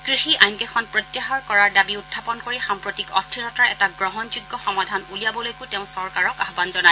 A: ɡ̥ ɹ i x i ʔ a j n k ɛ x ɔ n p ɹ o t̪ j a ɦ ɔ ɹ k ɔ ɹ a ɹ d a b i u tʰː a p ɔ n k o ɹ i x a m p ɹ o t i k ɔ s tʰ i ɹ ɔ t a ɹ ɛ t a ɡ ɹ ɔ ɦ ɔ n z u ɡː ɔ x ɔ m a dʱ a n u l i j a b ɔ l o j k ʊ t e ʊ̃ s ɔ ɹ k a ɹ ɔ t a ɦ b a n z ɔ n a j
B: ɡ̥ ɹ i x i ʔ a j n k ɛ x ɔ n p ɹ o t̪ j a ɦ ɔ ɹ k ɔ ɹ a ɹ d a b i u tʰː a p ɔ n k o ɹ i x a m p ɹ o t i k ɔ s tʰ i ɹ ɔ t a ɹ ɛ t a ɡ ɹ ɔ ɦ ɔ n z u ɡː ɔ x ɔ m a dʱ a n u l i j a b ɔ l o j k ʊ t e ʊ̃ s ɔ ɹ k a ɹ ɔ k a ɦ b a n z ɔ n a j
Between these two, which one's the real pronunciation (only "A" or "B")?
B